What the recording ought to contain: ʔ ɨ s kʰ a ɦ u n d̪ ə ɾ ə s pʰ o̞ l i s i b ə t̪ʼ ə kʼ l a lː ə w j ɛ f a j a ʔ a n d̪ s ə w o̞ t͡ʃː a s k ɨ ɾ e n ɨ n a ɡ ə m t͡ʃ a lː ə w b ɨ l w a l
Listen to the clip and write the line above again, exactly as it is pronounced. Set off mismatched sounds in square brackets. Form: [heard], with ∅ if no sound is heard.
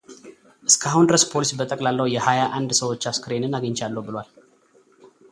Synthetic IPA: ʔ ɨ s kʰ a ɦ u n d̪ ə ɾ ə s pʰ o̞ l i s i b ə t̪ʼ ə kʼ l a lː ə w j ɛ [h] a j a ʔ a n d̪ s ə w o̞ t͡ʃː a s k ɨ ɾ e n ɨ n a ɡ ə [ɲ] t͡ʃ a lː ə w b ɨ l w a l